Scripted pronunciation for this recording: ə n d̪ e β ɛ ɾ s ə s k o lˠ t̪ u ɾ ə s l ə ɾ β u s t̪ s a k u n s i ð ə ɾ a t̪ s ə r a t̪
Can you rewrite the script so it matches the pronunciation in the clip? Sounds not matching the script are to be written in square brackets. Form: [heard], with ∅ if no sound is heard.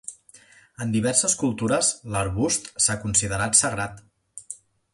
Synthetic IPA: ə n d̪ [i] β ɛ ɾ s ə s k [u] lˠ t̪ u ɾ ə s l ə ɾ β u s t̪ s a k u n s i ð ə ɾ a t̪ s ə r a t̪